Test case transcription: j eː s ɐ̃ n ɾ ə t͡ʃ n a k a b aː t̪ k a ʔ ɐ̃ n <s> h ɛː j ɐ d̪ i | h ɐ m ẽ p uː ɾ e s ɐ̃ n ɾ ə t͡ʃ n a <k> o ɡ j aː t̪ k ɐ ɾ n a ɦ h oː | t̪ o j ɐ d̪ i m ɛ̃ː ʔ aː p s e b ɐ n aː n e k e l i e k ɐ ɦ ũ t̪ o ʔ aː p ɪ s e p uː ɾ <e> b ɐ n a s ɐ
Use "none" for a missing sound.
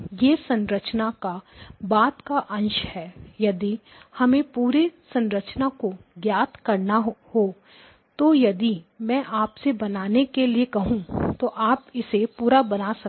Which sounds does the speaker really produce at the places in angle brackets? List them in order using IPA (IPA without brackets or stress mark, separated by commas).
ʃ, k, a